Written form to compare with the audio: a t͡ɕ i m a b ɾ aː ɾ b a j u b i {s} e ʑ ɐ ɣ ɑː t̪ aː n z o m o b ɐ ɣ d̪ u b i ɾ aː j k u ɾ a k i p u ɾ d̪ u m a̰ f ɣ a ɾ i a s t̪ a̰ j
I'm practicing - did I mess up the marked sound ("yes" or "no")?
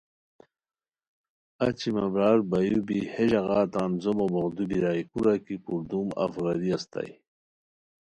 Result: yes